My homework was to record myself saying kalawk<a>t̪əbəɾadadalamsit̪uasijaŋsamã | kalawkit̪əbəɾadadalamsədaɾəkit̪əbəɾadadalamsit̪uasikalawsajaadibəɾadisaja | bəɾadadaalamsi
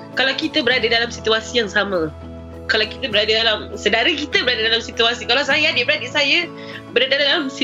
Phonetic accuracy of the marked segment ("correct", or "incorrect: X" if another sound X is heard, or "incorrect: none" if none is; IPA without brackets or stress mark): incorrect: i